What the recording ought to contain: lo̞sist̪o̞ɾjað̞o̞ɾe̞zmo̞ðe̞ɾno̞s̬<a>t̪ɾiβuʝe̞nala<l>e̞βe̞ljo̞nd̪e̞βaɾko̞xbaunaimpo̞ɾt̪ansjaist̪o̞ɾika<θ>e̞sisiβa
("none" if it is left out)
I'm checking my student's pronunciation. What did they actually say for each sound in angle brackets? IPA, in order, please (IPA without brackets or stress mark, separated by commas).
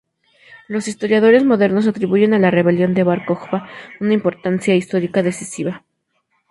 a, r, ð